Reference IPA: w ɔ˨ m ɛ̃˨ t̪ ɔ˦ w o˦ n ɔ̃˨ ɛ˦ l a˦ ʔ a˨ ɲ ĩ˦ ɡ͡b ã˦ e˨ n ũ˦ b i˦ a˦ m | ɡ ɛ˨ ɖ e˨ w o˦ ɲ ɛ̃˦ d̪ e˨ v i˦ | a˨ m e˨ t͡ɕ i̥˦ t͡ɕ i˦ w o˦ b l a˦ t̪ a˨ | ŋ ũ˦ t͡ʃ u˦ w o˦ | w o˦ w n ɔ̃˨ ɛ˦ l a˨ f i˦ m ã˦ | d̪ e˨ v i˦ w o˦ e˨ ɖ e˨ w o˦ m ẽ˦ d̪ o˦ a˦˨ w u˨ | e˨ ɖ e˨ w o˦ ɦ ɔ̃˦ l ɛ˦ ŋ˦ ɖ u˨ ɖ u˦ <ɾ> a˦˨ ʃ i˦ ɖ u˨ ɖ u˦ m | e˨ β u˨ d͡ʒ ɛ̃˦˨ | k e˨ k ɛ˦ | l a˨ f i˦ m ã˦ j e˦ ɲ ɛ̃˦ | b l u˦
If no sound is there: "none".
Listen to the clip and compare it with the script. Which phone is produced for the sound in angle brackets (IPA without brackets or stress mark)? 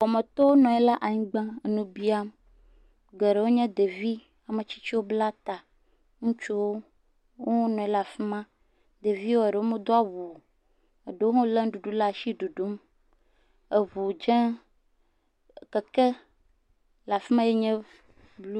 l